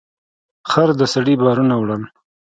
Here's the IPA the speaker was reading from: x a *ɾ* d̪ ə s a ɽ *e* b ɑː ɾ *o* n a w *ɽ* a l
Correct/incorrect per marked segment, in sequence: correct, incorrect, incorrect, correct

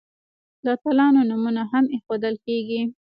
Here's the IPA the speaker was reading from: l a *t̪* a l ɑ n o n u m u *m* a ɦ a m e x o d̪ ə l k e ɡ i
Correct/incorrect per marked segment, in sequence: correct, incorrect

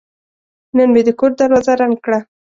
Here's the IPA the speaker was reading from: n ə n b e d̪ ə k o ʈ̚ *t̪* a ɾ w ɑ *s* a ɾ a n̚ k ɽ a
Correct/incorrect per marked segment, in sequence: incorrect, incorrect

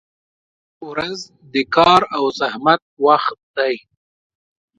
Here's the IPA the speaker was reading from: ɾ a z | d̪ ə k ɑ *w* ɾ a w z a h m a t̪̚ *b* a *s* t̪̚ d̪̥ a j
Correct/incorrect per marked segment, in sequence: incorrect, incorrect, incorrect

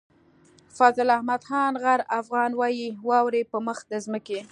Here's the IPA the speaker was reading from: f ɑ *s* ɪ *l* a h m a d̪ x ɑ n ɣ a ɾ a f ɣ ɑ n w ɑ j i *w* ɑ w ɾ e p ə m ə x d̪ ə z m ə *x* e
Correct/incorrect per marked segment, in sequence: incorrect, correct, correct, incorrect

